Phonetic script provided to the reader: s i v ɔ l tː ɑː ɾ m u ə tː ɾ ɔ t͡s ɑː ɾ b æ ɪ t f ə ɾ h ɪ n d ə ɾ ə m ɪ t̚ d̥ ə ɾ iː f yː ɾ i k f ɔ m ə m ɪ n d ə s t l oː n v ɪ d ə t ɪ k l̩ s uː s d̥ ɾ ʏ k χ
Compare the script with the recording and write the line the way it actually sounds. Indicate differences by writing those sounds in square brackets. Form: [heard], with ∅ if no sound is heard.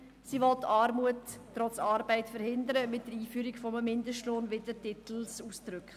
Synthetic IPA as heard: s i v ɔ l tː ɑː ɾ m u ə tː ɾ ɔ t͡s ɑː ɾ b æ ɪ t f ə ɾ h ɪ n d ə ɾ ə m ɪ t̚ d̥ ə ɾ iː f yː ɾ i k f ɔ m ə m ɪ n d ə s t l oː n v ɪ d ə t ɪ [t] l̩ s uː s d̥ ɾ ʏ k χ